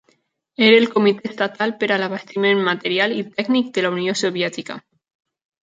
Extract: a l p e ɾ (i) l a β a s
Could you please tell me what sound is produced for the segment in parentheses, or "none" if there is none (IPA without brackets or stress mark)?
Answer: a